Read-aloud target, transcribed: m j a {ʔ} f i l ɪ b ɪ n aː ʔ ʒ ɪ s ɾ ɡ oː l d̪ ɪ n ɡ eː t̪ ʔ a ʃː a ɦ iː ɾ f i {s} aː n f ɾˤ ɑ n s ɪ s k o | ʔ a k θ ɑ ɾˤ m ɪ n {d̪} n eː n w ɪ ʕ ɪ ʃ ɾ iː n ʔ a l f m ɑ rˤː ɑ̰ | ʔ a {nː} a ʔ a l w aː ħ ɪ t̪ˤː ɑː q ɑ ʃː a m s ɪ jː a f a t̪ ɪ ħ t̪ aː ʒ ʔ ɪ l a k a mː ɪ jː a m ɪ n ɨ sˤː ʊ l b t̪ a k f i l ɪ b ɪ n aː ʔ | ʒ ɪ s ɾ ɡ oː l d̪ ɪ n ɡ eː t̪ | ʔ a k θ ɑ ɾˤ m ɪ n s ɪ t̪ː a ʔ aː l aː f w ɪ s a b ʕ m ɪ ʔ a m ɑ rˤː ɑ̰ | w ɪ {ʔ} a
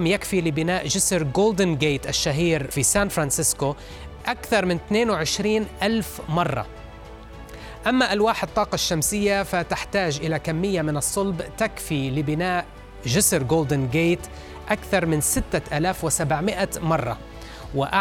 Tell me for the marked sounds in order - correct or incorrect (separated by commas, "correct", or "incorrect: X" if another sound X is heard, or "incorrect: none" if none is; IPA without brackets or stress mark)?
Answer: incorrect: k, correct, incorrect: t̪, incorrect: mː, correct